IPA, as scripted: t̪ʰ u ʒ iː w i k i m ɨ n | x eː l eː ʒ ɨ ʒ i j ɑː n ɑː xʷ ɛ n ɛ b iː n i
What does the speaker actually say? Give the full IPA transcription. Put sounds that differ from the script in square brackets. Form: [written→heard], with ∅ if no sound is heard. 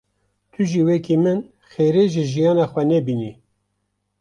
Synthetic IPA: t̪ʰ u ʒ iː w [i→ɛ] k i m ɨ n | x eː [l→ɾ] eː ʒ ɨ ʒ i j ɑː n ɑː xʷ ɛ n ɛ b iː n i